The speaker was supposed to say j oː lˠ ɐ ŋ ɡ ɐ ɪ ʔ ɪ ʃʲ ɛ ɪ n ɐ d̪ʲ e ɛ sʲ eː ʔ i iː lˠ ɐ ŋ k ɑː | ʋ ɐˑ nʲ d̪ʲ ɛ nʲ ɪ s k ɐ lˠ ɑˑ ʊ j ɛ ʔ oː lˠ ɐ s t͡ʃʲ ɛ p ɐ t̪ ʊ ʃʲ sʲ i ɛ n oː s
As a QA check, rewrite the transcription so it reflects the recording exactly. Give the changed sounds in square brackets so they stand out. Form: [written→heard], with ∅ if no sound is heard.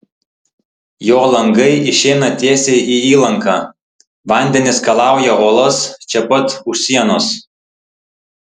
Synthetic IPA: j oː lˠ ɐ ŋ ɡ ɐ ɪ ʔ ɪ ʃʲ ɛ ɪ n ɐ [d̪ʲ→t̪ʲ] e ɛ sʲ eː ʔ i iː lˠ ɐ ŋ k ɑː | ʋ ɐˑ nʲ d̪ʲ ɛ nʲ ɪ s k ɐ lˠ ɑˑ ʊ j ɛ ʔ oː lˠ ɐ s t͡ʃʲ ɛ p ɐ t̪ ʊ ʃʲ sʲ i ɛ n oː s